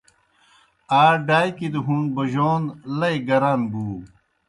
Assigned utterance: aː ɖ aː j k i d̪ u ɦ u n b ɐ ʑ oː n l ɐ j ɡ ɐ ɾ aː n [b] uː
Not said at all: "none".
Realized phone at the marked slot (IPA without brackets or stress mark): b